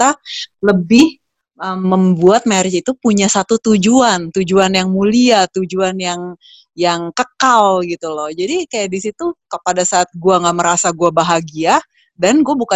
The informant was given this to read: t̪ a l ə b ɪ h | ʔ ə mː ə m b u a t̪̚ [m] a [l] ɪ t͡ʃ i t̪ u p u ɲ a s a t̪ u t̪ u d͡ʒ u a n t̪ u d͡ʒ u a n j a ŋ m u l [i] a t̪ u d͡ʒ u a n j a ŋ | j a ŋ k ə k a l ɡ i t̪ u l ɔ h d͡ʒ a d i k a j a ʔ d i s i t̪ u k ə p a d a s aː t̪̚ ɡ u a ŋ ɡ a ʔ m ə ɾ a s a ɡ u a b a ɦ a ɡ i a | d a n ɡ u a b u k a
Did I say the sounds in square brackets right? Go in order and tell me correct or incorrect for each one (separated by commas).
correct, incorrect, correct